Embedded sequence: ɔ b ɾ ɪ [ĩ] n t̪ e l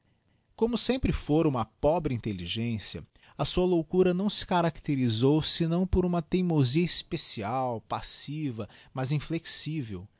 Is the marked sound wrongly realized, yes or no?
no